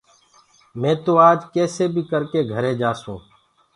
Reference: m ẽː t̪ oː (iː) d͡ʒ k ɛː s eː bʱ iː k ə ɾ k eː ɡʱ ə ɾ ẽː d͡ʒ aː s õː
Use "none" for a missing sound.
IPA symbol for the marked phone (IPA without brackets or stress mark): aː